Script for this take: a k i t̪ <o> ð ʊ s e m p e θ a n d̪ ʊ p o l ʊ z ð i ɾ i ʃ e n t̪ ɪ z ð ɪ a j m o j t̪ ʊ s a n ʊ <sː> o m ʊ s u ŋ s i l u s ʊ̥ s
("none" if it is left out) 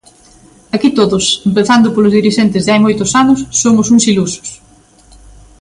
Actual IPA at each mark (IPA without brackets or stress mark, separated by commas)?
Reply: o, sː